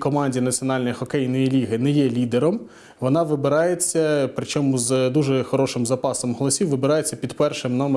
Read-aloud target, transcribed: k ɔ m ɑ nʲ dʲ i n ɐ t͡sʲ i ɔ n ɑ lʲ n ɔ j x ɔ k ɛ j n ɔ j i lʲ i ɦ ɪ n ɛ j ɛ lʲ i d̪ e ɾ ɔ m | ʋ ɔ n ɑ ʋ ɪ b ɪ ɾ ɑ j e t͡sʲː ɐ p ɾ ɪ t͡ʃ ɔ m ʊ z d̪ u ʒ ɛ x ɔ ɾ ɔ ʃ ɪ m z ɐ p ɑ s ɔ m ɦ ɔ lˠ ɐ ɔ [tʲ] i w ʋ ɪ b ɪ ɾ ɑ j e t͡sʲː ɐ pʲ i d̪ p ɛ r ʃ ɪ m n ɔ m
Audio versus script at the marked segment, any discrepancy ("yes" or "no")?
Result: yes